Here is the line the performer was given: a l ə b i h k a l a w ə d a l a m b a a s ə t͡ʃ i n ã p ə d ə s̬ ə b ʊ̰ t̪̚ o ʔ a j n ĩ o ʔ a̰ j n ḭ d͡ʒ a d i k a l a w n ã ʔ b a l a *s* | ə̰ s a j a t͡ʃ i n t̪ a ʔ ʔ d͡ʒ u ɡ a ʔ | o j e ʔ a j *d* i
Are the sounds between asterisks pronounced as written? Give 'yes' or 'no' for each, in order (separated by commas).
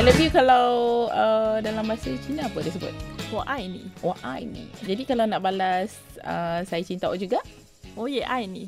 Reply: yes, no